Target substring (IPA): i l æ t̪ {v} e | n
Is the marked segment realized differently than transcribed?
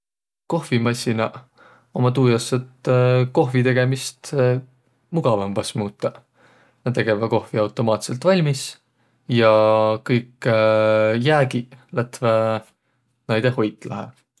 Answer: no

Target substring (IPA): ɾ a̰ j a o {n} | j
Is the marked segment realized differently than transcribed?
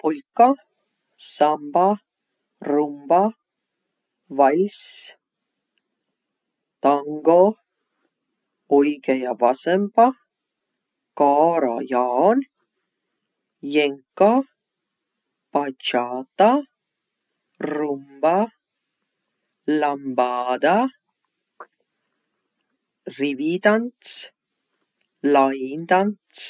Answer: no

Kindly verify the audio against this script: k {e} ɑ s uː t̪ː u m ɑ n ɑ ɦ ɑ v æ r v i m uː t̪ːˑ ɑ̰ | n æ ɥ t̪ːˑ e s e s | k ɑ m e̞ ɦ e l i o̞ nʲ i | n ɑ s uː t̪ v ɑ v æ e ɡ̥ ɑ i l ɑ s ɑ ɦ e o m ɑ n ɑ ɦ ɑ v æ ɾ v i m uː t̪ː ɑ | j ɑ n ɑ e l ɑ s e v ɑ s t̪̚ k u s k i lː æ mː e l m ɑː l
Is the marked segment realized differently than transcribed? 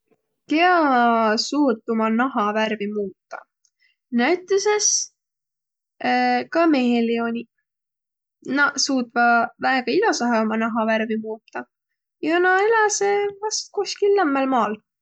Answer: no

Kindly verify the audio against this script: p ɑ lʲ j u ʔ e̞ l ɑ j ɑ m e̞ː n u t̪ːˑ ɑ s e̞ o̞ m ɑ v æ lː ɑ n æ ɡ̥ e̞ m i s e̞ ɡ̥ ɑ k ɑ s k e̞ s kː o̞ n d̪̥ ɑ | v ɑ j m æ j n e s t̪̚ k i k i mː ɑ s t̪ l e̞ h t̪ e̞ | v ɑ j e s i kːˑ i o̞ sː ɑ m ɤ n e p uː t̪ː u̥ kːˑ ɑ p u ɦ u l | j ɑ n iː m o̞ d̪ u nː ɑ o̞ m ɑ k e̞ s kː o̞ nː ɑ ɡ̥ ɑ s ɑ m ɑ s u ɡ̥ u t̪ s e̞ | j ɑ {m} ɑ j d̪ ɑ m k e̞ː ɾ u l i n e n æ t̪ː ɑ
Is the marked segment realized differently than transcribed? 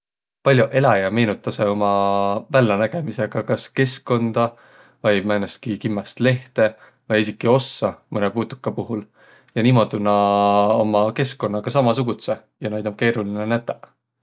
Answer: yes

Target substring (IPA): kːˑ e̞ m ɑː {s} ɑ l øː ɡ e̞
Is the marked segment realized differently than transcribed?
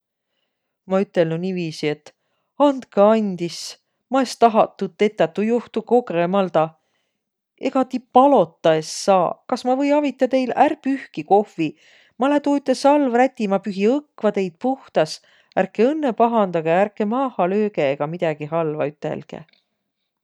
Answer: yes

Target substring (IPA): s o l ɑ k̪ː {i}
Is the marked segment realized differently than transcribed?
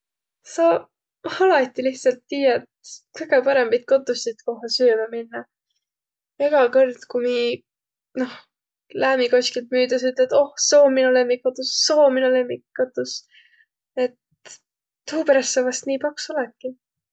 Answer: no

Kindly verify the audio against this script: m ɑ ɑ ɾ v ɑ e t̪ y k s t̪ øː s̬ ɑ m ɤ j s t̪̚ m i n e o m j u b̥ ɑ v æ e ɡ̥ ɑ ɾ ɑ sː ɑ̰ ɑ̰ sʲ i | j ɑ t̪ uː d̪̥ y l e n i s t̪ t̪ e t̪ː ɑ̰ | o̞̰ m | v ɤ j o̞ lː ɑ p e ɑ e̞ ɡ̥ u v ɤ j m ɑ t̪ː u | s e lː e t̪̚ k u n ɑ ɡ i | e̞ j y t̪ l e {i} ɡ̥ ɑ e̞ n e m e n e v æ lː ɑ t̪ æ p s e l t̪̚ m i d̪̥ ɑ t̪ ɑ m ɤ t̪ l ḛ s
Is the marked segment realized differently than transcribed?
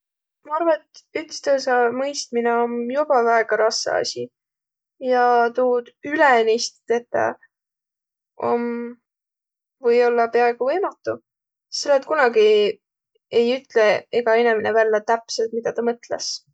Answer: yes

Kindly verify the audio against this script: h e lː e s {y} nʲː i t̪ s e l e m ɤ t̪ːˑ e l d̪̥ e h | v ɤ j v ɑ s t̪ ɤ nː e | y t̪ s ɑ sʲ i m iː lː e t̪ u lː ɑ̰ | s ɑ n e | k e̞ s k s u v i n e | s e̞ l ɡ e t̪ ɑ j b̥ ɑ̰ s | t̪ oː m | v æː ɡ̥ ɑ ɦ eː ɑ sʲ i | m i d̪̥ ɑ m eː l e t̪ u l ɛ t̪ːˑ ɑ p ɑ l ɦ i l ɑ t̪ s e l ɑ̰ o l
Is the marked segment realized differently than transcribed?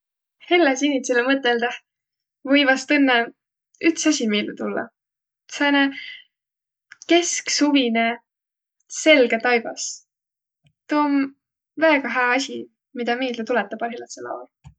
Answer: yes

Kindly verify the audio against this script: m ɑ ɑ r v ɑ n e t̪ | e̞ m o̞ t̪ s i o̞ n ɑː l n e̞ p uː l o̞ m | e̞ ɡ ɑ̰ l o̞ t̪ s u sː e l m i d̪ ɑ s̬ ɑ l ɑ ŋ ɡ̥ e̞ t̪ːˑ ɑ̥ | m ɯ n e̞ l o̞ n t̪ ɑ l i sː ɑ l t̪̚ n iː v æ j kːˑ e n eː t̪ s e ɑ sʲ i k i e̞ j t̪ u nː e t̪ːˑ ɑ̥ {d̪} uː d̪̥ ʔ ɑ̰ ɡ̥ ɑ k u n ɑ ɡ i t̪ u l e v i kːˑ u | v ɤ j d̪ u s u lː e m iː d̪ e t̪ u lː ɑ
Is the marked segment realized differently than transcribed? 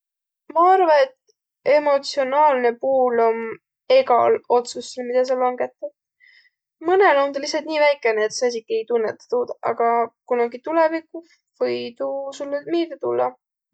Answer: yes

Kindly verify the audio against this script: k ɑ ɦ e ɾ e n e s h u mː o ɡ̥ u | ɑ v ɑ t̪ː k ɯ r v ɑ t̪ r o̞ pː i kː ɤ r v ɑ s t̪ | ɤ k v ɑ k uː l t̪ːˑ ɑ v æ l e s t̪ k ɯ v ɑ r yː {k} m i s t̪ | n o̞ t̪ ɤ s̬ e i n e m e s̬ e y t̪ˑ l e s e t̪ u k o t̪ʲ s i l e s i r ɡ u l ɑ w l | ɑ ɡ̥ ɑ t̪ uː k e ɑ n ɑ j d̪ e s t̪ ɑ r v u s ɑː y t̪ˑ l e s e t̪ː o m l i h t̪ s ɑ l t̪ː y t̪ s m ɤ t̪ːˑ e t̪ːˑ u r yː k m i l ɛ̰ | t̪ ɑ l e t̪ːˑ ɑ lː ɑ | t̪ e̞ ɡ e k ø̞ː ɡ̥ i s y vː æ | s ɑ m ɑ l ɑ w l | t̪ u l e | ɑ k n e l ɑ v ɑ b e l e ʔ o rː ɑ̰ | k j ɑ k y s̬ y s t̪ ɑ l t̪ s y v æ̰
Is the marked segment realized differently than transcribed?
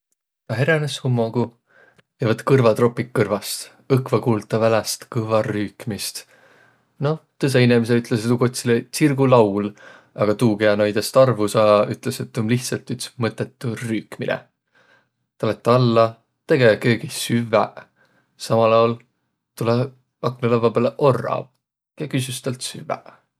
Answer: no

